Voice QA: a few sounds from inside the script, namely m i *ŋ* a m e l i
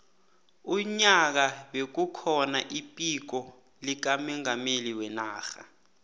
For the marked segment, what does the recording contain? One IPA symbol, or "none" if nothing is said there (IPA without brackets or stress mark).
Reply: ŋ